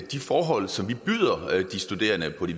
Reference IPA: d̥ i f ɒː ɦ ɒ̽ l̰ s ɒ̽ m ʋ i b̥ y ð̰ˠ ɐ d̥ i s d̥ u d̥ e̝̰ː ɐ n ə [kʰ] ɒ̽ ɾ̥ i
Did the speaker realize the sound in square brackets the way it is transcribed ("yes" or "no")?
no